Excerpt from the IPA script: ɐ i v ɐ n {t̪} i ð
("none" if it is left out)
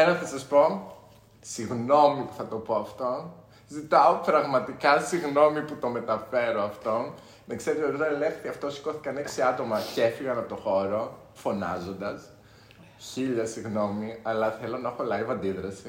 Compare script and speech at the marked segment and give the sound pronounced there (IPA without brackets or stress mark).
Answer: d̪